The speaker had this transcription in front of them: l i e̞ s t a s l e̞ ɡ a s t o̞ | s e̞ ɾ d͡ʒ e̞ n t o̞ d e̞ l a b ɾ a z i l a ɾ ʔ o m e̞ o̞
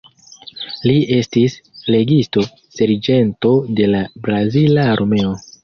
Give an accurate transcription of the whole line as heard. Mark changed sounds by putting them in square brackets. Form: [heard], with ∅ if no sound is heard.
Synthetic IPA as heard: l i e̞ s t [i] s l e̞ ɡ [i] s t o̞ | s e̞ ɾ d͡ʒ e̞ n t o̞ d e̞ l a b ɾ a z i l a ɾ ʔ o m e̞ o̞